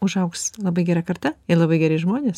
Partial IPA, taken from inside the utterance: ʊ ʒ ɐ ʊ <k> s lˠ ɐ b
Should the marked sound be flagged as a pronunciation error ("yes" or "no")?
no